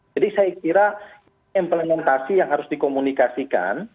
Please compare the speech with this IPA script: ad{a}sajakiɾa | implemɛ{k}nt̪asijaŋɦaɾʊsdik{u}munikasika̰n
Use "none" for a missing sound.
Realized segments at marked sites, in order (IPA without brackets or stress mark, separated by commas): i, none, o